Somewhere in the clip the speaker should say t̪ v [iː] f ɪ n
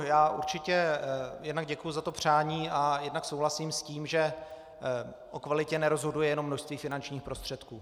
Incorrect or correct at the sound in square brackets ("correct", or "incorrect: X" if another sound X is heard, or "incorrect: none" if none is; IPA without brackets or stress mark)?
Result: correct